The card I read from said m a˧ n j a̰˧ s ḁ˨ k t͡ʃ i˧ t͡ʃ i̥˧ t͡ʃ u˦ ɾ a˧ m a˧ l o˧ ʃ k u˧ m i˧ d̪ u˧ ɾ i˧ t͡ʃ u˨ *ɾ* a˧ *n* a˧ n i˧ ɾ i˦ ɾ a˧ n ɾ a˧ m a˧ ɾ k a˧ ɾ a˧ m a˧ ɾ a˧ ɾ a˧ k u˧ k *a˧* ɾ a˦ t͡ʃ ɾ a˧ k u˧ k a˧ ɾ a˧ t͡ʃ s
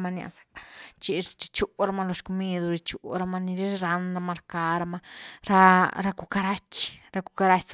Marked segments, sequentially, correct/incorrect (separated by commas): correct, incorrect, correct